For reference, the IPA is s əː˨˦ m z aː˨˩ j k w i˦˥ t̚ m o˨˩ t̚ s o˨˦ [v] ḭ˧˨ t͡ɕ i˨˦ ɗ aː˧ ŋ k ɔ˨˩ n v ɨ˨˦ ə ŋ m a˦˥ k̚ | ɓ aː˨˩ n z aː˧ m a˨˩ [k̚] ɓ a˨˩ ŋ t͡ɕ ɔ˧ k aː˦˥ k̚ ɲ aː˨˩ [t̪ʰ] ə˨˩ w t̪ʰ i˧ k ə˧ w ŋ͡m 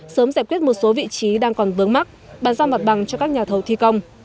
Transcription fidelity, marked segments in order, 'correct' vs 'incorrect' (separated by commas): correct, incorrect, correct